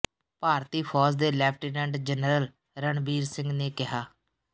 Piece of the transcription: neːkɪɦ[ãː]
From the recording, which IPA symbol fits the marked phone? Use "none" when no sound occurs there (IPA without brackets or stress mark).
aː